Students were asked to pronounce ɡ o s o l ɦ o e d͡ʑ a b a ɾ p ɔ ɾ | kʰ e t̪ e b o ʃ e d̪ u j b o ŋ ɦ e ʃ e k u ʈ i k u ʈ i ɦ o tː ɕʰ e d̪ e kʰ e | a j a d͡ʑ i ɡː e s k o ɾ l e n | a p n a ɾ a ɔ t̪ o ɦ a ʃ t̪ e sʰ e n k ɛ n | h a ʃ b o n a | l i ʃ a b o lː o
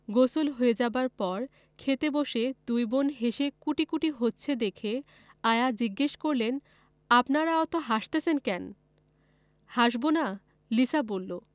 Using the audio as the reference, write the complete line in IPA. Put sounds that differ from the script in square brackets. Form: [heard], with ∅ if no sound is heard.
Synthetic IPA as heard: ɡ o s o l ɦ o e d͡ʑ a b a ɾ p ɔ ɾ | kʰ e t̪ e b o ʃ e d̪ u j b o [n] ɦ e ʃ e k u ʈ i k u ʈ i ɦ o tː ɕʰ e d̪ e kʰ e | a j a d͡ʑ i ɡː e [ʃ] k o ɾ l e n | a p n a ɾ a ɔ t̪ o ɦ a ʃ t̪ e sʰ e n k ɛ n | h a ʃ b o n a | l i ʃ a b o lː o